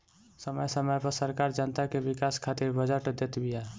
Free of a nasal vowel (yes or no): yes